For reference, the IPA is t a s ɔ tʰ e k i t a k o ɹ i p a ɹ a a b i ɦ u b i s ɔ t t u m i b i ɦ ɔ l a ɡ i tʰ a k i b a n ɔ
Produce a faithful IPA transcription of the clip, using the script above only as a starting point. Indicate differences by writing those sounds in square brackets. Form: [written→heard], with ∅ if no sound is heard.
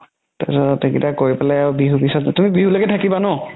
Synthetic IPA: t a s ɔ [tʰ→t] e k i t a k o ɹ i p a [ɹ→l] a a b i ɦ u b i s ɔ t t u m i b i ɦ [ɔ→u] l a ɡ [i→ɛ] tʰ a k i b a n ɔ